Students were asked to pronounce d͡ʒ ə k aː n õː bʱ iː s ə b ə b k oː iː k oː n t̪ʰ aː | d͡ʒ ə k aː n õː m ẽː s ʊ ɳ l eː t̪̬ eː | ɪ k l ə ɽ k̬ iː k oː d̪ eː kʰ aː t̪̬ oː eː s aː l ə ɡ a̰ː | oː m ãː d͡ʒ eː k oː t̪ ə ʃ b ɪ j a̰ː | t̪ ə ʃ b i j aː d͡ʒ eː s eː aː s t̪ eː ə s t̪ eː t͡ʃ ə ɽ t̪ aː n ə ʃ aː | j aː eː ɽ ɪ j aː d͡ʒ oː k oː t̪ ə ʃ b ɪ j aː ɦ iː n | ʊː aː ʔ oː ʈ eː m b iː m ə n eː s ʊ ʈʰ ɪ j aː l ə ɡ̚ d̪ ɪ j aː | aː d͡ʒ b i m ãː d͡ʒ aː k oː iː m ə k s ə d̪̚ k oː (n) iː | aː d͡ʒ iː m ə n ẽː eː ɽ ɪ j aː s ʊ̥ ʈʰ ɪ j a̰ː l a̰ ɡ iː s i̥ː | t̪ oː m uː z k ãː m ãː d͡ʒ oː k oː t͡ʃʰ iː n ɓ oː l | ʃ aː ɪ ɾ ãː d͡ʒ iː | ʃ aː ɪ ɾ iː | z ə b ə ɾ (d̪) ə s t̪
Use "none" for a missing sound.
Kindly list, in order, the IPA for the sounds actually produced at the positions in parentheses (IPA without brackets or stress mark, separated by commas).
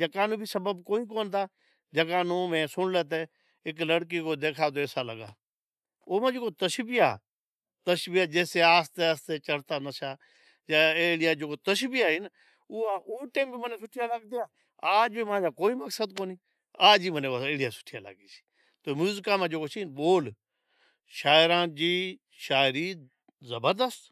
n, d̪